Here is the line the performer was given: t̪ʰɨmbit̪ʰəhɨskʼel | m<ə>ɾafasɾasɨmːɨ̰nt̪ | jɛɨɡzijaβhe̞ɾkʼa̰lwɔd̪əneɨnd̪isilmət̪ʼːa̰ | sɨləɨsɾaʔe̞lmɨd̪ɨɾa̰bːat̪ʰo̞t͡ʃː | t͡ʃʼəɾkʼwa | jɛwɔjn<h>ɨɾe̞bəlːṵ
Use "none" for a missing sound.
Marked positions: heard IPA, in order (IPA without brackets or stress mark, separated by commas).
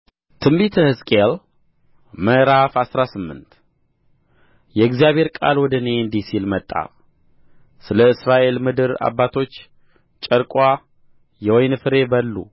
ə, f